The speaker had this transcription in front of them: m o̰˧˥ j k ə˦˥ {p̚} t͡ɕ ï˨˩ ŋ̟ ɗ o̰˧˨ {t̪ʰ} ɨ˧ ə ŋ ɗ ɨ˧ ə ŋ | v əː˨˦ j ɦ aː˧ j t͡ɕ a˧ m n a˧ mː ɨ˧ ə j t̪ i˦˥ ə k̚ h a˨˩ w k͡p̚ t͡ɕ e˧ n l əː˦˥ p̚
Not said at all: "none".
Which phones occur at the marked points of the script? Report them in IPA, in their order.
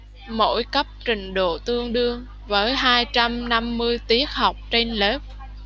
p̚, t̪

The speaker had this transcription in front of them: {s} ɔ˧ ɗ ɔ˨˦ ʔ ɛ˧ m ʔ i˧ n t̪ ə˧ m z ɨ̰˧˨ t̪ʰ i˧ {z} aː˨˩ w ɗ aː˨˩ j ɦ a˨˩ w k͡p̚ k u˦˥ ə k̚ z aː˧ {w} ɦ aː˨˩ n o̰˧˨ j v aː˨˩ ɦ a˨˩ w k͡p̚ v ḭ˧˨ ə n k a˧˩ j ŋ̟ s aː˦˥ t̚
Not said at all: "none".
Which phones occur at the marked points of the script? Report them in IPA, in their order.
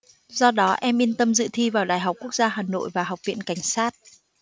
z, v, none

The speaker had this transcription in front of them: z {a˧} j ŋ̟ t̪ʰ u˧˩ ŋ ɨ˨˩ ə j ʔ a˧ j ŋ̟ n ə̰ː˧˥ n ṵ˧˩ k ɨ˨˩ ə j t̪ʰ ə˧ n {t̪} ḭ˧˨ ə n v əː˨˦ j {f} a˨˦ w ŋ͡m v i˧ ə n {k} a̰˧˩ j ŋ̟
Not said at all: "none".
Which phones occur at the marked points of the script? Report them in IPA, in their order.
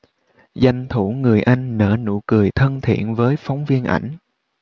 a˨˩, t̪ʰ, f, ʔ

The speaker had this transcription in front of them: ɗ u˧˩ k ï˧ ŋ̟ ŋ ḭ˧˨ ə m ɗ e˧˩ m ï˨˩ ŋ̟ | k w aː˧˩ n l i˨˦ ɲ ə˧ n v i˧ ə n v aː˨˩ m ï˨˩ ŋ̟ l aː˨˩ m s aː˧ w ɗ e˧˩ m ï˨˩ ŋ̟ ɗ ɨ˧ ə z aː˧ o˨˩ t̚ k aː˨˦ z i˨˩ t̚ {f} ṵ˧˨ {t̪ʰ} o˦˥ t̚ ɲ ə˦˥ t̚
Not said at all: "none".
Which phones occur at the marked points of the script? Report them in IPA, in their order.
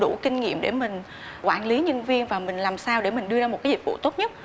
v, t̪

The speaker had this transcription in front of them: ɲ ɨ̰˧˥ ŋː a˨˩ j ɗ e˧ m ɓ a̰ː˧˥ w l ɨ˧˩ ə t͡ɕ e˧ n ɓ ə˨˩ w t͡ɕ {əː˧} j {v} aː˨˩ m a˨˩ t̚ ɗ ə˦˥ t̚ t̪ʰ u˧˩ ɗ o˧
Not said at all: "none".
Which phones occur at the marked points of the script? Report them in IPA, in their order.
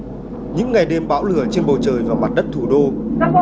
əː˨˩, v

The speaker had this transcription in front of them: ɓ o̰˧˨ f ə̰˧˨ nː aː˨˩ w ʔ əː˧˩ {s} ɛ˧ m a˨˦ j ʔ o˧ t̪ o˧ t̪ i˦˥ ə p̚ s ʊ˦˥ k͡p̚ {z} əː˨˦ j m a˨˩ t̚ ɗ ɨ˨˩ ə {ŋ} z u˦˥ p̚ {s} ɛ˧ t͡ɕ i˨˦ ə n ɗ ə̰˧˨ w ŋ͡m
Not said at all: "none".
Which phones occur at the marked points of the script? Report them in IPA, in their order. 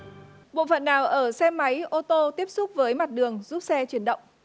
s, v, ŋ, s

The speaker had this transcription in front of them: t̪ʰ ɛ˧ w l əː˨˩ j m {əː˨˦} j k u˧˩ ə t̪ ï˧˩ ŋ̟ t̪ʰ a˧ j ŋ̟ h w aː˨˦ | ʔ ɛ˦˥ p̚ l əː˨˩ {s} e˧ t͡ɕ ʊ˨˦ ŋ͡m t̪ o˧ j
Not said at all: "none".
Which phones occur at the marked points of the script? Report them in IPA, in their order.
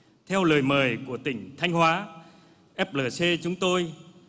əː˨˩, s

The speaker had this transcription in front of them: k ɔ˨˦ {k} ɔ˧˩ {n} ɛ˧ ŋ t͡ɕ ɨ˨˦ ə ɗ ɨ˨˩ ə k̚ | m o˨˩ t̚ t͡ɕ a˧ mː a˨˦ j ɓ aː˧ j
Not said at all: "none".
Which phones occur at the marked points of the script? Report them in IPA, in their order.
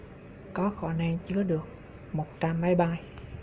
x, n

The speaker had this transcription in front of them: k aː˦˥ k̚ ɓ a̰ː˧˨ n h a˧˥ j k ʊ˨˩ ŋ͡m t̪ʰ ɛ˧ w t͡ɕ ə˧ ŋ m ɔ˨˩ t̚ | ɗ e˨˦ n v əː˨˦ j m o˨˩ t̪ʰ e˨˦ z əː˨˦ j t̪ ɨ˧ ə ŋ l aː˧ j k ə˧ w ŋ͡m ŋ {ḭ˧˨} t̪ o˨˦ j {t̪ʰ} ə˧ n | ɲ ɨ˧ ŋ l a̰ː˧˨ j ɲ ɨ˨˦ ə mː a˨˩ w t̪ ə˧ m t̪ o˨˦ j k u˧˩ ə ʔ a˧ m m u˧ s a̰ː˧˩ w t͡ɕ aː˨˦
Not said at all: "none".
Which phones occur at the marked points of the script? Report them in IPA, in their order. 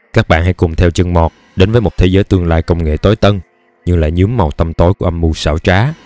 ḛ˧˨, t̪

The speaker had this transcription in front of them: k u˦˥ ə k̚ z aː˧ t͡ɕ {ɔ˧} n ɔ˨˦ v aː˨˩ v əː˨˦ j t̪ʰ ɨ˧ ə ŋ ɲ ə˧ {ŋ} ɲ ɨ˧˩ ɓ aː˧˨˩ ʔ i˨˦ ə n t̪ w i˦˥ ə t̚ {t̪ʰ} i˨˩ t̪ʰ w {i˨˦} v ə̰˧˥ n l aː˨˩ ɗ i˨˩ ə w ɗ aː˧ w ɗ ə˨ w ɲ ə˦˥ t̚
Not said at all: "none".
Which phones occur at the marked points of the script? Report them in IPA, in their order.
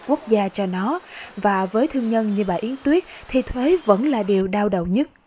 ɔ˧, n, t̪ʰ, e˨˦

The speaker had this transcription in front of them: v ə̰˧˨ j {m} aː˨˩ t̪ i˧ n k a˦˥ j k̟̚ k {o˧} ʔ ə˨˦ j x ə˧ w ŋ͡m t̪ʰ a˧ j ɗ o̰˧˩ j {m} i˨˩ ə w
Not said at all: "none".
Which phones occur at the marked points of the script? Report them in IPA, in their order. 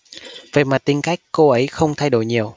m, o˧, ɲ

